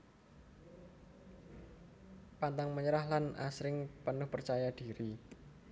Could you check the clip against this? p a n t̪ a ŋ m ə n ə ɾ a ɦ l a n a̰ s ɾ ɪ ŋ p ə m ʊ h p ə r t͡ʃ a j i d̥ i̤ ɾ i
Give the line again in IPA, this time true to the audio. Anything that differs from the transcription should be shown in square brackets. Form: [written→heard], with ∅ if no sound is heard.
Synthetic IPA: p a n t̪ a ŋ m ə [n→ɲ] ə ɾ a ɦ l a n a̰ s ɾ ɪ ŋ p ə [m→n] ʊ h p ə r t͡ʃ a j [i→a] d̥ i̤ ɾ i